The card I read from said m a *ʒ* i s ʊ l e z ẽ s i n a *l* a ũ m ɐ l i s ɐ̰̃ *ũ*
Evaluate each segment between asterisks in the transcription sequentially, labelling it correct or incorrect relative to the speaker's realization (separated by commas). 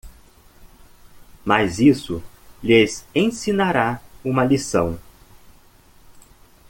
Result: incorrect, incorrect, incorrect